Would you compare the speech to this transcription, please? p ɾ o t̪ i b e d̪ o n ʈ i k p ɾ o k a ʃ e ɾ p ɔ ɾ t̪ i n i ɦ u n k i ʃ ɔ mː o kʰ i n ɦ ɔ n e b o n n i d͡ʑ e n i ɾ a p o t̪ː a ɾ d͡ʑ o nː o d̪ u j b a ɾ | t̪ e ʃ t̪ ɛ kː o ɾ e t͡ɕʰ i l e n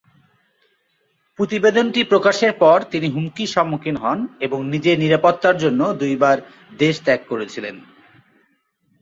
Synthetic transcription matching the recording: p ɾ o t̪ i b e d̪ o n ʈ i p ɾ o k a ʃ e ɾ p ɔ ɾ t̪ i n i ɦ u m k i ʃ ɔ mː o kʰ i n ɦ ɔ n e b o ŋ n i d͡ʑ e n i ɾ a p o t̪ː a ɾ d͡ʑ o nː o d̪ u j b a ɾ | d̪ e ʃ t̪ ɛ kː o ɾ e t͡ɕʰ i l e n